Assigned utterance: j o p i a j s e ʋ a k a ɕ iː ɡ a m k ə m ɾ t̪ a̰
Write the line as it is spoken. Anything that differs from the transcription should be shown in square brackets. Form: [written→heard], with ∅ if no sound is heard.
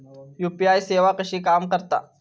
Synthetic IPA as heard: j [o→u] p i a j s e ʋ a k [a→ə] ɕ iː [ɡ→k] a m k ə [m→∅] ɾ t̪ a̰